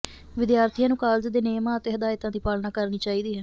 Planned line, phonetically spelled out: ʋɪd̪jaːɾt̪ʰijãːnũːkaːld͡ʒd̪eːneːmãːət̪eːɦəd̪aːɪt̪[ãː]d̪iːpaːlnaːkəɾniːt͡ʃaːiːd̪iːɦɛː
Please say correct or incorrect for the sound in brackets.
correct